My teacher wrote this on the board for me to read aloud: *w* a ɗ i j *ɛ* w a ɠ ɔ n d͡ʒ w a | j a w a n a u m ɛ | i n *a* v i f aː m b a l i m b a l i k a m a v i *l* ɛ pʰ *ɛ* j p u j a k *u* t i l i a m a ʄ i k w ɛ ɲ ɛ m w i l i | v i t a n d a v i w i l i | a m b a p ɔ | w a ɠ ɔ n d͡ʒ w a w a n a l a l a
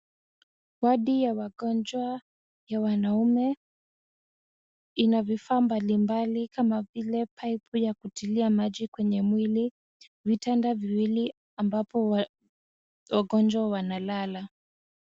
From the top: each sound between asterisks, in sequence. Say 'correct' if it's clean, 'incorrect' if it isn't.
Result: correct, incorrect, correct, correct, incorrect, correct

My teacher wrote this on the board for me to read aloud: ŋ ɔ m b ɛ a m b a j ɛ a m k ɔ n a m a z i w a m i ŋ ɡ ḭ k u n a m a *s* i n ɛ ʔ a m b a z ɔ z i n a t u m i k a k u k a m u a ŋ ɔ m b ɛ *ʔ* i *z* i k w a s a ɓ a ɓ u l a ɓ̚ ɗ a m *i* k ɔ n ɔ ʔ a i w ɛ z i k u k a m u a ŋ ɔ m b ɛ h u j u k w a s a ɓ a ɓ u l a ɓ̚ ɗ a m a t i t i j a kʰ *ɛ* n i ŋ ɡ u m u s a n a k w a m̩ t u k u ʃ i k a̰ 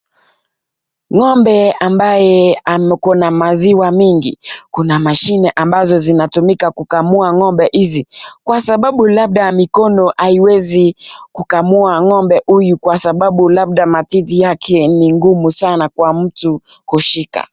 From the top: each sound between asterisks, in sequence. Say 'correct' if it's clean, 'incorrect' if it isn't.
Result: incorrect, correct, correct, correct, correct

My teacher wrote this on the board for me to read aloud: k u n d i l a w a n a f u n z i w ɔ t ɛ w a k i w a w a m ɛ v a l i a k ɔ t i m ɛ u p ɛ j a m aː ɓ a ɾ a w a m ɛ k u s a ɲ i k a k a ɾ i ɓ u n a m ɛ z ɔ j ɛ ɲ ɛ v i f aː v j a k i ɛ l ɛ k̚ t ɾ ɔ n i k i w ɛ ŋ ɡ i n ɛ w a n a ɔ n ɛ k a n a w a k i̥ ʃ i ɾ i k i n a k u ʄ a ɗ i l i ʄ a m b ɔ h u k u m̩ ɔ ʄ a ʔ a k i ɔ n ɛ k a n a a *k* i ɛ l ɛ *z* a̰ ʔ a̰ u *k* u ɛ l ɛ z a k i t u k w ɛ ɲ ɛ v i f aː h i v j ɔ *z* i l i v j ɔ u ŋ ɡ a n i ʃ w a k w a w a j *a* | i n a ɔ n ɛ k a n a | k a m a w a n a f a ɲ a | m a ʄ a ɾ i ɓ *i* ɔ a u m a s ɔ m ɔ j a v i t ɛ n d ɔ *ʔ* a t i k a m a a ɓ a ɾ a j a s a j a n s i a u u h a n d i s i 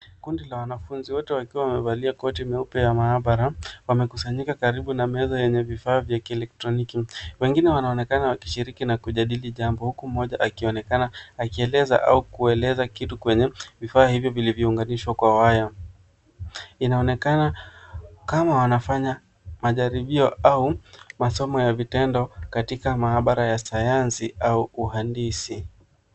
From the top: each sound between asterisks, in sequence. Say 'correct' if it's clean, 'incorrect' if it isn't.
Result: correct, correct, correct, incorrect, correct, correct, incorrect

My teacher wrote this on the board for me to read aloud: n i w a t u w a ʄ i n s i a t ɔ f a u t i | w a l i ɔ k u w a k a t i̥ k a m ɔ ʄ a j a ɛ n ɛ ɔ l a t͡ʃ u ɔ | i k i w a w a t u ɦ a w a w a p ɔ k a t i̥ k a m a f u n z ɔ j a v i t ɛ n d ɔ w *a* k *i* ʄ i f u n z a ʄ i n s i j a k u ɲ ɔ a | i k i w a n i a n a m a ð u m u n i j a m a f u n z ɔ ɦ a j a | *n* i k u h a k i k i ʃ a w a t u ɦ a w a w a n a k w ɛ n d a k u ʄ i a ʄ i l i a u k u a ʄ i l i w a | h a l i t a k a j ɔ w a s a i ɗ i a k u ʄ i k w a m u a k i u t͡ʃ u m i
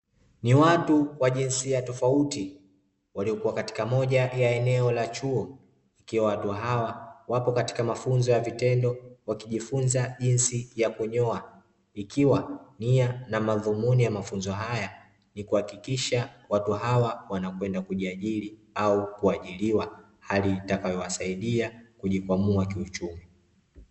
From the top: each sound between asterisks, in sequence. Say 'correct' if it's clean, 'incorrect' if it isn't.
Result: correct, correct, correct

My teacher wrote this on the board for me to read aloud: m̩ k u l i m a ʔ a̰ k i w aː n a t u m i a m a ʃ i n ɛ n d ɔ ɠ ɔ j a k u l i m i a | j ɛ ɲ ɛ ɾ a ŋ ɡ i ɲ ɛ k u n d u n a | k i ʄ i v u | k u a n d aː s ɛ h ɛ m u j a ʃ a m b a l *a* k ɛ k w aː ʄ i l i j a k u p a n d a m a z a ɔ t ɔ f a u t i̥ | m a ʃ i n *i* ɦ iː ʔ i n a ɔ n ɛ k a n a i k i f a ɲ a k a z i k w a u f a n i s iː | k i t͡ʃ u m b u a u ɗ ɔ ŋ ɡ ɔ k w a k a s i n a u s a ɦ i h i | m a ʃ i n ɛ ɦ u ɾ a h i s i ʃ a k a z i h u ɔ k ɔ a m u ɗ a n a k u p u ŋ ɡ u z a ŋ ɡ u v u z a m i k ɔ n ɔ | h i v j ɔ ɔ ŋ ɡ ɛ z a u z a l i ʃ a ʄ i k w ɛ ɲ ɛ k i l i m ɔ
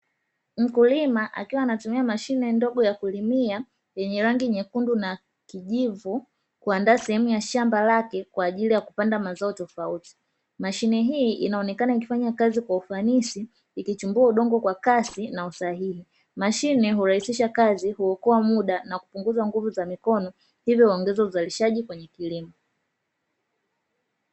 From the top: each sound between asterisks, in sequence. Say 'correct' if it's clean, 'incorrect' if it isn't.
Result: correct, incorrect

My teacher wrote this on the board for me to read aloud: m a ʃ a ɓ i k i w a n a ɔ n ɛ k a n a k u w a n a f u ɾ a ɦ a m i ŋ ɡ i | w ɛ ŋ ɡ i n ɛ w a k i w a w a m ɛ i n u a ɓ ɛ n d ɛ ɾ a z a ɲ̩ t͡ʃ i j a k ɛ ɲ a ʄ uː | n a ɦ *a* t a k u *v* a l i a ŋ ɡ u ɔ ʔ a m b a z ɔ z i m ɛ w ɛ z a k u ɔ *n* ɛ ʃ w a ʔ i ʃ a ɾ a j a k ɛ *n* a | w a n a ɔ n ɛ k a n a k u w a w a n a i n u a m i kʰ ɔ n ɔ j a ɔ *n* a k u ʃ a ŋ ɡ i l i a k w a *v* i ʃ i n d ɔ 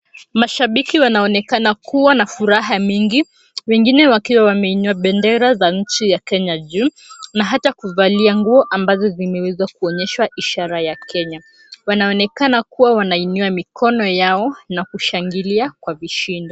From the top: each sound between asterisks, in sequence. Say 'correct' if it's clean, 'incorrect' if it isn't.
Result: correct, correct, incorrect, incorrect, correct, correct

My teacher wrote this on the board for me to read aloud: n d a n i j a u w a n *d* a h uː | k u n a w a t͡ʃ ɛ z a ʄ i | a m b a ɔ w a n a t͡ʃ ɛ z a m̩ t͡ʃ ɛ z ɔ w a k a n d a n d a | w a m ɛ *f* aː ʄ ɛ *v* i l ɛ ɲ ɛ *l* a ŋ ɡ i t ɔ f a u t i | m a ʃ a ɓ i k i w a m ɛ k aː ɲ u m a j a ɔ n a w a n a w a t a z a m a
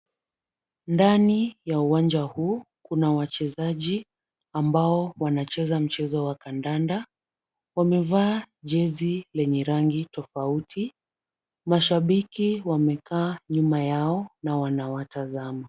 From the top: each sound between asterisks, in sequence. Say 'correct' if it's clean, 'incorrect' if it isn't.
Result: incorrect, incorrect, incorrect, incorrect

